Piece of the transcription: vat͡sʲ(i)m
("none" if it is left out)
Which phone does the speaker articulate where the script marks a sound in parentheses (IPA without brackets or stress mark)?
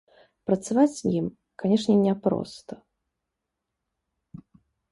i